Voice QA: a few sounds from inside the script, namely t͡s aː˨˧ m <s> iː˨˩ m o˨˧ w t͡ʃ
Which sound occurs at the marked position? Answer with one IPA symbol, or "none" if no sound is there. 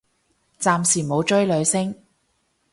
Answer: s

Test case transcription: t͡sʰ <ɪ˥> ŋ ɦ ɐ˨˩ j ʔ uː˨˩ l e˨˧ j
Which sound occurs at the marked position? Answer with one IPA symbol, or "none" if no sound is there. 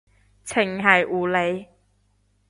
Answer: ɪ˨˩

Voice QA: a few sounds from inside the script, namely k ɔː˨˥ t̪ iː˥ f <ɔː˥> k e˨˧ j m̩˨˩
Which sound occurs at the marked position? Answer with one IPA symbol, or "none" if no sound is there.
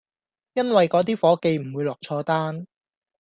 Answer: ɔː˨˥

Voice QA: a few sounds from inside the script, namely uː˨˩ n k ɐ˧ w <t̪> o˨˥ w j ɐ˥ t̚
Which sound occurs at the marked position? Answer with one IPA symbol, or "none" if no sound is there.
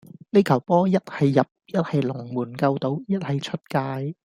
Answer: t̪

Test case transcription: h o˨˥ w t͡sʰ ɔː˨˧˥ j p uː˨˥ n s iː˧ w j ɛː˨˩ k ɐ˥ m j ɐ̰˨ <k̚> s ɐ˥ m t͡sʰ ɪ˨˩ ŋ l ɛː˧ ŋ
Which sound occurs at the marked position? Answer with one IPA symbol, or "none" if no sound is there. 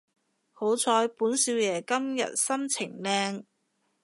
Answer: t̚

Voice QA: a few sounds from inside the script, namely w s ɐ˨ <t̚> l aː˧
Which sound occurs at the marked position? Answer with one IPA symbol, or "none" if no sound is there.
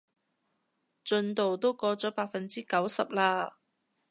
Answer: p̚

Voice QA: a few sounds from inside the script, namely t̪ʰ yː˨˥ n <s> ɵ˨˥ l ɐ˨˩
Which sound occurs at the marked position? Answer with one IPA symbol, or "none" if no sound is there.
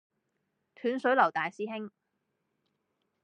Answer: s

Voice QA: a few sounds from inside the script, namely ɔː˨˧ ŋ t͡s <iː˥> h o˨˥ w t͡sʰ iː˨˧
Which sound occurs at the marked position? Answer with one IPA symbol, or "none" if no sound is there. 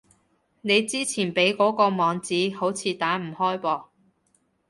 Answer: iː˨˥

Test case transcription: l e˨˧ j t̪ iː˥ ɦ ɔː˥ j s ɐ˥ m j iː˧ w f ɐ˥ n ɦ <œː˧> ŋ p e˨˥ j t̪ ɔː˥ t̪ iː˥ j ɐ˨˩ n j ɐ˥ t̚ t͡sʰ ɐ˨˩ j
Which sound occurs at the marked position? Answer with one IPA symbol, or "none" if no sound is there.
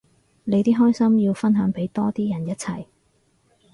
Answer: œː˨˥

